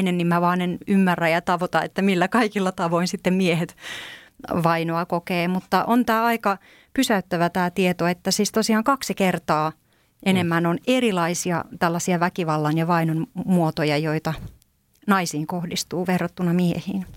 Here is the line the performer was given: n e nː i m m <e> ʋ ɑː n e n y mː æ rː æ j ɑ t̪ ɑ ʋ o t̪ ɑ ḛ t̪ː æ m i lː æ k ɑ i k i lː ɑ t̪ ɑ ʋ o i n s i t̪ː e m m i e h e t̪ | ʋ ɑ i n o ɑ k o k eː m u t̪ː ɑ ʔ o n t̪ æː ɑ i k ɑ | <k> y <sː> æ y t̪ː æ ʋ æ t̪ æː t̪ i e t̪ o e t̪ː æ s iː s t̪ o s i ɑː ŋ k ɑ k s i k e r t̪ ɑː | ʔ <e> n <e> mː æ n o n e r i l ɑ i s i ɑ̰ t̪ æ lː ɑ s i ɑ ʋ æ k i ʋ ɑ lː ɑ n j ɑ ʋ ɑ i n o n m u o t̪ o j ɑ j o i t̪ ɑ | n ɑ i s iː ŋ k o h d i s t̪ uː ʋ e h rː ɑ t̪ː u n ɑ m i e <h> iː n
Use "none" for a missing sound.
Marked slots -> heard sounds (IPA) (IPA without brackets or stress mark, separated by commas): æ, p, s, e, e, h